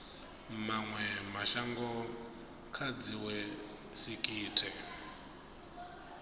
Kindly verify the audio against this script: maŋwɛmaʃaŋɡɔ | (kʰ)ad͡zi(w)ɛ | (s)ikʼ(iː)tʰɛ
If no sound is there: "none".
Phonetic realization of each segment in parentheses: kʰ, w, s, iː

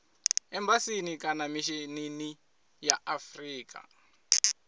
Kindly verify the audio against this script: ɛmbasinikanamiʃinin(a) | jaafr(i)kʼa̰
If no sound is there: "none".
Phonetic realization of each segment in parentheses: i, iː

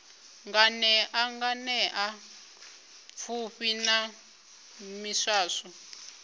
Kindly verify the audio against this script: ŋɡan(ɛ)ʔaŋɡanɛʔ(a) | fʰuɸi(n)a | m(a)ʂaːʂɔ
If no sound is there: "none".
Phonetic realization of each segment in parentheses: ɛ, a, n, i

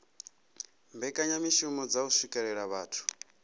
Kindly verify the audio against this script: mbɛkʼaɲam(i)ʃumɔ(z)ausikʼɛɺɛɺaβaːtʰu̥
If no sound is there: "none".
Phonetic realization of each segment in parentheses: i, d͡z

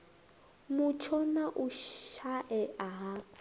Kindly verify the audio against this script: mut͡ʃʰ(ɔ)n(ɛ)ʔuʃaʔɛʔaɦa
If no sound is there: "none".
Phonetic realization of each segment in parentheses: ɔ, a

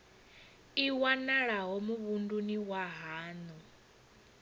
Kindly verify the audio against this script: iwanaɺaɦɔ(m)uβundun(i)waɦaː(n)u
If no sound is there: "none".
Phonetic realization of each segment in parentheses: m, i, n

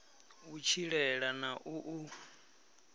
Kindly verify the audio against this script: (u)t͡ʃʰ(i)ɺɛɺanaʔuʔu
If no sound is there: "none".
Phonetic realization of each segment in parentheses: u, i

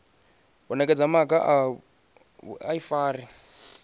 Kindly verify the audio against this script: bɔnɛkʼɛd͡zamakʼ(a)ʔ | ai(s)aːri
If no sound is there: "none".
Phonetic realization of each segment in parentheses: a, f

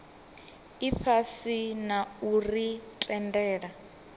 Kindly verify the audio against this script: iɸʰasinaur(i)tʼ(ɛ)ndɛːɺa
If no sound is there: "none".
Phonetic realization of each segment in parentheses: i, ɛ

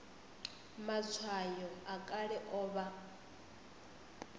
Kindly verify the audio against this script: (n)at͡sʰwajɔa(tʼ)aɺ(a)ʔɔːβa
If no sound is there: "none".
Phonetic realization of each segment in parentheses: m, kʼ, ɛ

